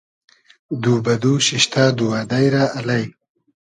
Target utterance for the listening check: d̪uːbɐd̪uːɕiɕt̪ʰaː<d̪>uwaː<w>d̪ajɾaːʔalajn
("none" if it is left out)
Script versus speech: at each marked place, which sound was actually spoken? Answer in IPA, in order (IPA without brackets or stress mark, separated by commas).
d̪, none